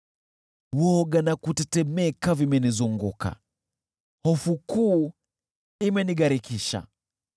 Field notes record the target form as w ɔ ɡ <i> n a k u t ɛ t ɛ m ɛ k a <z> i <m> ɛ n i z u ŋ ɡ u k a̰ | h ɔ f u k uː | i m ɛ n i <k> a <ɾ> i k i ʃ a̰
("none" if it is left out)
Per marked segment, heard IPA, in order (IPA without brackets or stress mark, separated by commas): a, v, m, ɡ, ɾ